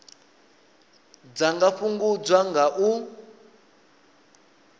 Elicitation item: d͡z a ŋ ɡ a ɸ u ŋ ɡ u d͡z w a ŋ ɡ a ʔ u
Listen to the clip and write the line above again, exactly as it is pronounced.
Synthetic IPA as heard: d͡z a ŋ ɡ a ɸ u ŋ ɡ u d͡z w a ŋ ɡ a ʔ u